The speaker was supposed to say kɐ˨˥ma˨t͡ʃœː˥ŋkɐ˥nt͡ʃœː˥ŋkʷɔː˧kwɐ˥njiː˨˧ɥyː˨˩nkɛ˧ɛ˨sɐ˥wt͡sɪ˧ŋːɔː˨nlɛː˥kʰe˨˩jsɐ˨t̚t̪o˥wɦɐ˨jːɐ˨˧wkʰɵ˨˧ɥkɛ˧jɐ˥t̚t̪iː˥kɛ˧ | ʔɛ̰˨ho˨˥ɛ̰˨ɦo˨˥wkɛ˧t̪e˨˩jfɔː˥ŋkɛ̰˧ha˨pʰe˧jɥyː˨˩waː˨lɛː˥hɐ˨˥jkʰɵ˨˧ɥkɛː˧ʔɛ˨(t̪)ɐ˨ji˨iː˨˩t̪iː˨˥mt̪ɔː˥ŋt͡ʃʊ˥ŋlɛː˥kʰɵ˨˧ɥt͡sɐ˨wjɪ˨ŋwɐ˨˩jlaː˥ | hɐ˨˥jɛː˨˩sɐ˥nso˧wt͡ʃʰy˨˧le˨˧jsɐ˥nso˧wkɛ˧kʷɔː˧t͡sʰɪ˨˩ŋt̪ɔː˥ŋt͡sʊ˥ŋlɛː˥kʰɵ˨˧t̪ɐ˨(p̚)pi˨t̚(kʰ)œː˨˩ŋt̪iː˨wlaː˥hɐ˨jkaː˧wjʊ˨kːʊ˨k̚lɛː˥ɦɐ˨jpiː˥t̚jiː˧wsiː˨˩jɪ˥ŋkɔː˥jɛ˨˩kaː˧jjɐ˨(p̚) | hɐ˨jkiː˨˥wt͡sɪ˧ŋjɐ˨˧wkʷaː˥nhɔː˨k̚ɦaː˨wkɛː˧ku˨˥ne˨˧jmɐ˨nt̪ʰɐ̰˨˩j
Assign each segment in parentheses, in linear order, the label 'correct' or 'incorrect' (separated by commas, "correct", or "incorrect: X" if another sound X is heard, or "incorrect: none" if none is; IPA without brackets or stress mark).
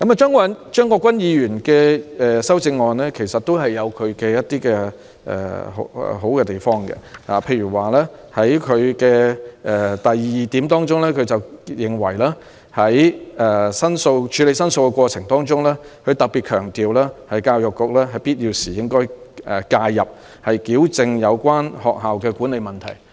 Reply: correct, incorrect: k̚, correct, correct